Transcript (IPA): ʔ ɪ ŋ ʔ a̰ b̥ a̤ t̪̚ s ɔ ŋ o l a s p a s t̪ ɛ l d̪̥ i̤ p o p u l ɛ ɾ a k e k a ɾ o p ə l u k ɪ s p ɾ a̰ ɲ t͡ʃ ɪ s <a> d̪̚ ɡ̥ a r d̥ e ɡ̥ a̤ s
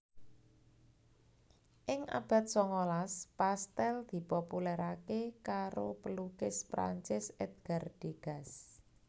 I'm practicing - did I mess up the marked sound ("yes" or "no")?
yes